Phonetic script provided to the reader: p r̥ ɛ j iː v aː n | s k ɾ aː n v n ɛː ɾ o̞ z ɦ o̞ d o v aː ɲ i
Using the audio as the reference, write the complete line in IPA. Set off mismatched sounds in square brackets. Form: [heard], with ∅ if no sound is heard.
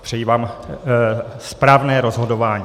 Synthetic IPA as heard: p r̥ ɛ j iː v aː [m] | s [p] ɾ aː [∅] v n ɛː ɾ o̞ z ɦ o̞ d o v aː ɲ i